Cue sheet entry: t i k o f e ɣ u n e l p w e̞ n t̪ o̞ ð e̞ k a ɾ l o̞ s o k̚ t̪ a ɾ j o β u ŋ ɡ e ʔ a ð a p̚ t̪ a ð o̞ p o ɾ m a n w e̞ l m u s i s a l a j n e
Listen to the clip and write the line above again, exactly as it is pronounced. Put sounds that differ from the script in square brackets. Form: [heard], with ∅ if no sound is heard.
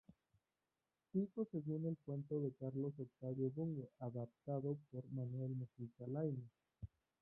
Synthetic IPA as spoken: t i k o [s] e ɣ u n e l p w e̞ n t̪ o̞ ð e̞ k a ɾ l o̞ s o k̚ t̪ a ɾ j o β u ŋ ɡ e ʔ a ð a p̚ t̪ a ð o̞ p o ɾ m a n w e̞ l m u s i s a l a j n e